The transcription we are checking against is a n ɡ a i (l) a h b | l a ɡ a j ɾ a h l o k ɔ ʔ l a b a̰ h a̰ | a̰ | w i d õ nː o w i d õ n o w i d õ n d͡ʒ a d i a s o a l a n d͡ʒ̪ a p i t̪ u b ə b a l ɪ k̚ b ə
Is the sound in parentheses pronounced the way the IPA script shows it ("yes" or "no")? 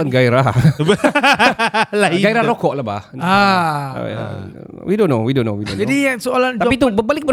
no